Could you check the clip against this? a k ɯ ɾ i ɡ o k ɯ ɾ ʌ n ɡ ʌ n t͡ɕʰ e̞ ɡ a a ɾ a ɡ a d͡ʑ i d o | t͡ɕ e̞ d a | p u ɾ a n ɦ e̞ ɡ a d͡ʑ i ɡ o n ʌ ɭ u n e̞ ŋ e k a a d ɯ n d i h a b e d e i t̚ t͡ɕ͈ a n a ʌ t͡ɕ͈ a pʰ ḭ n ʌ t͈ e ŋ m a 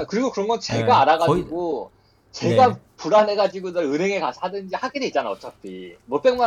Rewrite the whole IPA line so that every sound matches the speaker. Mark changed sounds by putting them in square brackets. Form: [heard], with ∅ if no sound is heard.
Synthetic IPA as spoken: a k ɯ ɾ i ɡ o k ɯ ɾ ʌ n ɡ ʌ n [t͡ɕ] e̞ ɡ a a ɾ a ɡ a d͡ʑ i [ɡ] o | t͡ɕ e̞ [ɡ] a | p u ɾ a n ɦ e̞ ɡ a d͡ʑ i ɡ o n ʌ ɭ [ɯ] n e̞ ŋ e k a a d ɯ n [d͡ʑ] i h a [ɡ] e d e i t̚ t͡ɕ͈ a n a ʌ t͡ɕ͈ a pʰ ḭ [m] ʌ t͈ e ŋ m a